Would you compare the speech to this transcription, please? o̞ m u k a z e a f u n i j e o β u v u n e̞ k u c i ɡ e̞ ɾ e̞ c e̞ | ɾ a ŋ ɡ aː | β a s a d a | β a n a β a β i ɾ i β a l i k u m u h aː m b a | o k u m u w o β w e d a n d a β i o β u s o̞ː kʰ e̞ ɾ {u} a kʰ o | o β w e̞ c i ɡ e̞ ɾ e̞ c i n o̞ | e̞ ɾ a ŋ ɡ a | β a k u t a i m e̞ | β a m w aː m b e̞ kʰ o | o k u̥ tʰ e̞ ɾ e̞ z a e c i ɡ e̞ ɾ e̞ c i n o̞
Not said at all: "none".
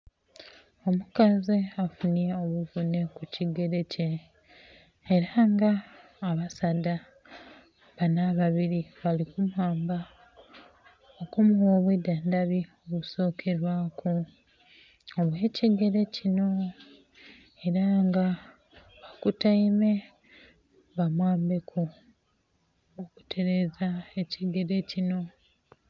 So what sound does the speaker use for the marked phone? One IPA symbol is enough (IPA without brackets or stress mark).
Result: w